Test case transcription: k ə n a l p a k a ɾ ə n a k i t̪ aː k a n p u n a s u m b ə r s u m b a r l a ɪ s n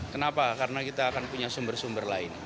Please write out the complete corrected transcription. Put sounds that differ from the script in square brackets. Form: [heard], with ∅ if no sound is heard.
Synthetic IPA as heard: k ə n a [∅] p a k a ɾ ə n a k i t̪ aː k a n p u [ɲ] a s u m b ə r s u m b [ə] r l a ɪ [∅] n